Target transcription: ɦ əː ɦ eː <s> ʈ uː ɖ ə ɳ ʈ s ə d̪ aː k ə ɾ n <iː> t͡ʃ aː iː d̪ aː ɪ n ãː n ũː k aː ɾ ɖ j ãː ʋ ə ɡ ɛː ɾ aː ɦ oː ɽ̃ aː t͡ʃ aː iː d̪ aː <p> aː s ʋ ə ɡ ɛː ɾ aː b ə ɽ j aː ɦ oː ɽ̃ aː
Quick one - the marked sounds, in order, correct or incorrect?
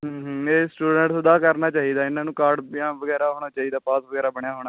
correct, incorrect, correct

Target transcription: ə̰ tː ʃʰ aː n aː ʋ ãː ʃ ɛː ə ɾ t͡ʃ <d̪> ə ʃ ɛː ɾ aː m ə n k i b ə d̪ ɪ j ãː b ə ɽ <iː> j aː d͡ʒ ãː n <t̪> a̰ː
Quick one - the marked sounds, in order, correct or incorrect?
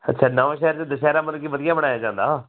correct, incorrect, incorrect

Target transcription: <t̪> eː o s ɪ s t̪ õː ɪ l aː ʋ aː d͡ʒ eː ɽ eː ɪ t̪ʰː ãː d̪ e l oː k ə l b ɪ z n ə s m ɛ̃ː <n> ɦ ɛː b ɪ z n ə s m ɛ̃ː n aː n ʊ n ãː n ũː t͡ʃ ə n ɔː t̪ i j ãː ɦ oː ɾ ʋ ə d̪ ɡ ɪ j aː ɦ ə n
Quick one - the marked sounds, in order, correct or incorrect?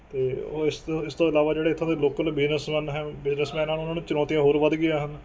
correct, correct

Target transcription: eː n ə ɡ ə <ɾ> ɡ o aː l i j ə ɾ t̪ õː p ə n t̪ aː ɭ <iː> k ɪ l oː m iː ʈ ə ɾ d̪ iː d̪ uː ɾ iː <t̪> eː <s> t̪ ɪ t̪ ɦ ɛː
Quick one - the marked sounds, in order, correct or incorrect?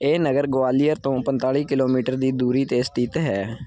correct, correct, correct, correct

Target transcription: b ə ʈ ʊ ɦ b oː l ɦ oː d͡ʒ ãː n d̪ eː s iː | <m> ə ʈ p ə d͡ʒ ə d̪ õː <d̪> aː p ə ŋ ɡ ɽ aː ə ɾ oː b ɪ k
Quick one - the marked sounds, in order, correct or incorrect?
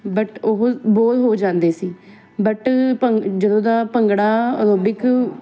incorrect, correct

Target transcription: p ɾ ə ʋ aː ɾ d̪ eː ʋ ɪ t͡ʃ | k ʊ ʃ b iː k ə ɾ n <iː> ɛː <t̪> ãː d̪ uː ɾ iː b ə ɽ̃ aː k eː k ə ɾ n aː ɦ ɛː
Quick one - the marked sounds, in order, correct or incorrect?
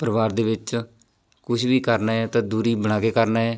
incorrect, correct

